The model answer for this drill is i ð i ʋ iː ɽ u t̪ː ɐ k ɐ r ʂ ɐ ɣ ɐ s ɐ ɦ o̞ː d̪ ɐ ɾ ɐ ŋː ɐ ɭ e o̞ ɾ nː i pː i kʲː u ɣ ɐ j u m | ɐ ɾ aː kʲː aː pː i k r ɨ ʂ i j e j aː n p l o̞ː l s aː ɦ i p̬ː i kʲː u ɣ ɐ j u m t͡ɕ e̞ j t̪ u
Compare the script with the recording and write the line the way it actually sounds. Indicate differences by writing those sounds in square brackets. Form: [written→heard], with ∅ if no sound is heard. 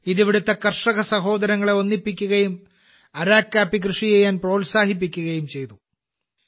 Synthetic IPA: i ð i ʋ [iː→i] ɽ u t̪ː ɐ k ɐ r ʂ ɐ ɣ ɐ s ɐ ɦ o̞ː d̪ ɐ ɾ ɐ ŋː ɐ ɭ e o̞ [ɾ→∅] nː i pː i kʲː u ɣ ɐ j u m | ɐ ɾ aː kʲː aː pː i k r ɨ ʂ i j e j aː n p [l→r] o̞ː l s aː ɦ i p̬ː i kʲː u ɣ ɐ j u m t͡ɕ e̞ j t̪ u